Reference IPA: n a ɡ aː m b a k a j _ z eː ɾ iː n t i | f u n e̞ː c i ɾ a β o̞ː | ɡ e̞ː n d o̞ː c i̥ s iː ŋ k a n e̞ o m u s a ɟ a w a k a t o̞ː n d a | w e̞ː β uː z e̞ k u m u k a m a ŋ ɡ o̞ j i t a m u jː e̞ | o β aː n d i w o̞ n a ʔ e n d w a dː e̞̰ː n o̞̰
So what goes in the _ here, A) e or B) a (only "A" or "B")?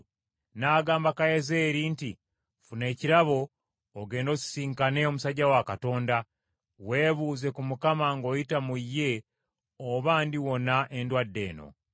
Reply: A